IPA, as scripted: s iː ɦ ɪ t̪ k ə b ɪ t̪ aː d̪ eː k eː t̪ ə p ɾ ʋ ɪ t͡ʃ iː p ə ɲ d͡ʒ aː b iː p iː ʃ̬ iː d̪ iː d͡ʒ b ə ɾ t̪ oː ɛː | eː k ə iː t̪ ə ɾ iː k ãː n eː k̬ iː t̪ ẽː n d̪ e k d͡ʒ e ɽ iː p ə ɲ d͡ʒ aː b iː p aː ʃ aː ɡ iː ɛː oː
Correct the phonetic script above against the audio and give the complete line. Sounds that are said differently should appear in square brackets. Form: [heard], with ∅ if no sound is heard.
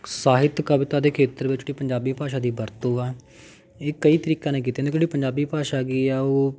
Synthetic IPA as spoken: s [aː] ɦ ɪ t̪ k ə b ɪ t̪ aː d̪ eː [kʰ] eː t̪ ə [∅] ɾ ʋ ɪ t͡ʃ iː p ə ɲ d͡ʒ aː b iː p [aː] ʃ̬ [aː] d̪ iː [∅] b ə ɾ t̪ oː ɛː | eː k ə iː t̪ ə ɾ iː k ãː n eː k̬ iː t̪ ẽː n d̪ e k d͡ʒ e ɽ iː p ə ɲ d͡ʒ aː b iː p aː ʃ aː ɡ iː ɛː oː